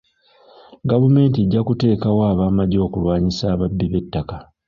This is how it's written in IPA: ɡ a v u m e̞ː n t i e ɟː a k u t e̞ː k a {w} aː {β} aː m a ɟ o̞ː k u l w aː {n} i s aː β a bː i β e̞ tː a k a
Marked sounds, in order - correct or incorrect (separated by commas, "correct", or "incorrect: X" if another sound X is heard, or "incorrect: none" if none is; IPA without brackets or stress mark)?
correct, correct, incorrect: ɲ